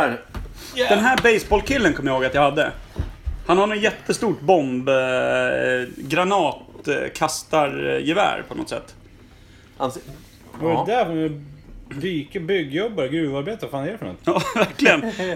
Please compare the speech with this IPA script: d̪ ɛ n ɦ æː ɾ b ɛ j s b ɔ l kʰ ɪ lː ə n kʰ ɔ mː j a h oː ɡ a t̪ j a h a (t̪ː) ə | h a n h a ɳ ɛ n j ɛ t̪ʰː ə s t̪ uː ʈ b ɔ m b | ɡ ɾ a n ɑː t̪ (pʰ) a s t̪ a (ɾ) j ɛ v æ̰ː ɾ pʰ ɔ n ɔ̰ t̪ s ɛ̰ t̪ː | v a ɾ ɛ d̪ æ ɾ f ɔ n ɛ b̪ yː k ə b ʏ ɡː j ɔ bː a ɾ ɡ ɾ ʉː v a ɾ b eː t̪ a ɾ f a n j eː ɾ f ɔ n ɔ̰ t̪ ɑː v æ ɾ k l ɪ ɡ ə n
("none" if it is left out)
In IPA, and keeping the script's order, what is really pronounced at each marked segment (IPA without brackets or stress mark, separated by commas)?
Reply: d̪ː, kʰ, ɾ